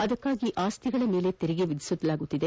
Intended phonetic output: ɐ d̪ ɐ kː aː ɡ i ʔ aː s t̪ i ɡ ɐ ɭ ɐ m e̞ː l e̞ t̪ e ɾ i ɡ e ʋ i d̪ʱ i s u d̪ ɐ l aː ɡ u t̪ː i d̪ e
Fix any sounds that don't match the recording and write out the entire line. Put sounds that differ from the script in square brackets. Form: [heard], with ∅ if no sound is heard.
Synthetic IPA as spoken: ɐ d̪ ɐ kː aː ɡ i ʔ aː s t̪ i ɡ ɐ ɭ ɐ m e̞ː l e̞ t̪ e ɾ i ɡ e ʋ i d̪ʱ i s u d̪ ɐ l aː ɡ u t̪ː i d̪ e